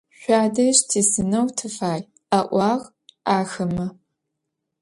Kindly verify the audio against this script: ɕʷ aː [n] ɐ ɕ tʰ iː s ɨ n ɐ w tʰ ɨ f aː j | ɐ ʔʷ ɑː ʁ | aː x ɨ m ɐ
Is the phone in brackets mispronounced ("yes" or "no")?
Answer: yes